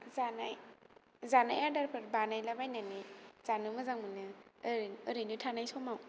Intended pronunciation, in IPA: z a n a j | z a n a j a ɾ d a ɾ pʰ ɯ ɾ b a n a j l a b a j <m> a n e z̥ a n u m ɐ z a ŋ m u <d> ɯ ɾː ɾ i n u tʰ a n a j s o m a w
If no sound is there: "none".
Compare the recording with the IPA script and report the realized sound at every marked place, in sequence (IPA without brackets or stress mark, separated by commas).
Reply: n, n